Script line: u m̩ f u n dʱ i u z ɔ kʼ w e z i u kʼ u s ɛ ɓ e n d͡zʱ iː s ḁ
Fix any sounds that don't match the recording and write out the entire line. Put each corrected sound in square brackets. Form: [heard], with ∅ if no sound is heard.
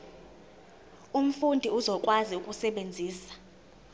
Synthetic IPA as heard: u m̩ f u n dʱ i u z ɔ kʼ w [a] z i u kʼ u s ɛ ɓ e n d͡zʱ iː s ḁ